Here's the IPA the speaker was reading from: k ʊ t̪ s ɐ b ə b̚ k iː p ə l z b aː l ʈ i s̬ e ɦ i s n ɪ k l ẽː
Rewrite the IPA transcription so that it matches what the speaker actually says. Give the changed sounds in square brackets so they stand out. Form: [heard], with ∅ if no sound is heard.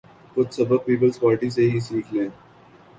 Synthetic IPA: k ʊ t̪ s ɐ b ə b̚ [p] iː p ə l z [p] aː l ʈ i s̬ e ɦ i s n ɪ k l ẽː